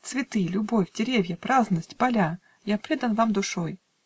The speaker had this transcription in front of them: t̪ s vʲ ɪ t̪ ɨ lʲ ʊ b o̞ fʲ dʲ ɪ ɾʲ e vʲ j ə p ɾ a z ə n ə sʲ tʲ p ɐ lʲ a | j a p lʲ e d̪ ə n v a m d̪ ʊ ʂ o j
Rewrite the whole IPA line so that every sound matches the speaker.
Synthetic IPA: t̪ s vʲ ɪ t̪ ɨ lʲ ʊ b o̞ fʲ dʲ ɪ ɾʲ e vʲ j ə p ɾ a z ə n ə sʲ tʲ p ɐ lʲ a | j a p ɾʲ e d̪ ə n v a m d̪ ʊ ʂ o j